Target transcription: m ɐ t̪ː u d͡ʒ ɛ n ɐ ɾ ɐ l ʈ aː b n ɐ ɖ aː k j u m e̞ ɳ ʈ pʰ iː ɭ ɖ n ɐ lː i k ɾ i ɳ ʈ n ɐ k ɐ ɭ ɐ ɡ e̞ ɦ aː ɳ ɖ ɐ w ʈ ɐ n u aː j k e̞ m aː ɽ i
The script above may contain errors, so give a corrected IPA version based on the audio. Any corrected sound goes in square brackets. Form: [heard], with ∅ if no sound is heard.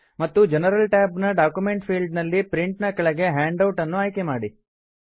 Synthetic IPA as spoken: m ɐ t̪ː u d͡ʒ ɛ n ɐ ɾ ɐ l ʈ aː b n ɐ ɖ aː k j u m e̞ ɳ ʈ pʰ iː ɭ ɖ n ɐ lː i [p] ɾ i ɳ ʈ n ɐ k ɐ ɭ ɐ ɡ e̞ ɦ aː ɳ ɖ ɐ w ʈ ɐ [nː] u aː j k e̞ m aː ɽ i